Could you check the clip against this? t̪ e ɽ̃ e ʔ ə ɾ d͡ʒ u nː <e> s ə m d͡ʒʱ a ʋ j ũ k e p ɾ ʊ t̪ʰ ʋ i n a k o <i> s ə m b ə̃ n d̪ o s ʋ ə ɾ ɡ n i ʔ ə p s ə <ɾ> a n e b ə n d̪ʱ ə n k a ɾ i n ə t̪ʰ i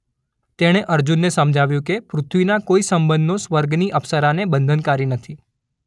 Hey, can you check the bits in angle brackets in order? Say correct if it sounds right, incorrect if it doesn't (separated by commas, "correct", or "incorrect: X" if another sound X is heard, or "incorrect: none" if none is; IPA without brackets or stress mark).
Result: correct, correct, correct